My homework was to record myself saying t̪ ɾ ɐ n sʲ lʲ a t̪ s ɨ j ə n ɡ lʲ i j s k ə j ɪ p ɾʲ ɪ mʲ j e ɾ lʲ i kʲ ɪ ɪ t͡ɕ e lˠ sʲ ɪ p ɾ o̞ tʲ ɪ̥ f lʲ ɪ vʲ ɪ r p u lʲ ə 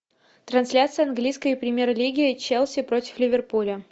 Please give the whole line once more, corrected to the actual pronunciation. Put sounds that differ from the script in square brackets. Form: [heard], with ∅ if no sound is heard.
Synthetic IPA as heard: t̪ ɾ ɐ n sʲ lʲ a t̪ s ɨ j [ɐ] n ɡ lʲ i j s k ə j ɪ p ɾʲ ɪ mʲ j e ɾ lʲ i [ɡʲ] ɪ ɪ t͡ɕ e lˠ sʲ ɪ p ɾ o̞ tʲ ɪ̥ f lʲ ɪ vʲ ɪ r p u lʲ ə